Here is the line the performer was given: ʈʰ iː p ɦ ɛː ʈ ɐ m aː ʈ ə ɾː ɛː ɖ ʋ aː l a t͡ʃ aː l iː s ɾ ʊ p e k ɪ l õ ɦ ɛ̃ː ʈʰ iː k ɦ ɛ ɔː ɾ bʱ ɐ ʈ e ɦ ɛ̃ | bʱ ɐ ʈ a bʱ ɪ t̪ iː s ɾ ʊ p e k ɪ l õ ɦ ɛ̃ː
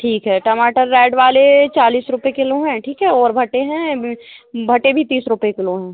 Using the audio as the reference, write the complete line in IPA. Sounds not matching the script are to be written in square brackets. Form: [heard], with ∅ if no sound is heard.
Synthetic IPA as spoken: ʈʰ iː [k] ɦ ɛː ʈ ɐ m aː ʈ ə ɾː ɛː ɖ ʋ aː l [e] t͡ʃ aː l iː s ɾ ʊ p e k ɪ l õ ɦ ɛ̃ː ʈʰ iː k ɦ ɛ ɔː ɾ bʱ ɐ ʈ e ɦ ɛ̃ | bʱ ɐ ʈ [e] bʱ [i] t̪ iː s ɾ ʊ p e k ɪ l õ ɦ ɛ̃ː